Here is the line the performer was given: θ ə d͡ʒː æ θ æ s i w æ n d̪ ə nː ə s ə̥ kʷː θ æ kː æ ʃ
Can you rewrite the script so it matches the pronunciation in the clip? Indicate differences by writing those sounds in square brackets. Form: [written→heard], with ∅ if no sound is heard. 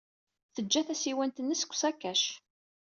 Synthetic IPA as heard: θ ə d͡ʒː æ θ æ s i w æ n [d̪→t̪] ə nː ə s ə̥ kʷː [θ→s] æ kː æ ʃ